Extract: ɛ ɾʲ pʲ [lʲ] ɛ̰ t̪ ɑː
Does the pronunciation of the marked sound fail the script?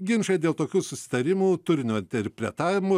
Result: yes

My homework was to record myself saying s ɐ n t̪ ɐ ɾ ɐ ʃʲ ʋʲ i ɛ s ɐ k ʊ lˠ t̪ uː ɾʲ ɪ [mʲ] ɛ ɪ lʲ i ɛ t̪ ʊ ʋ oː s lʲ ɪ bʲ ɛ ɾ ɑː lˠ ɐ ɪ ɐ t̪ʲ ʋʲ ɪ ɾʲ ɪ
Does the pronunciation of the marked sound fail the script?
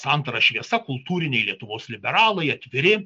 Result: yes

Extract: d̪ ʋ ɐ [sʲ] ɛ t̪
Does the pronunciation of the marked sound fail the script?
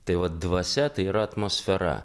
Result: no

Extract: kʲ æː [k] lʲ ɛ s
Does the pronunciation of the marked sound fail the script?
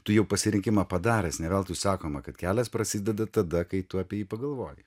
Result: yes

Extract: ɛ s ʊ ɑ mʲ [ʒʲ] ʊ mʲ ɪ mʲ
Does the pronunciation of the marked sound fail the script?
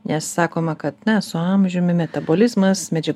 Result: no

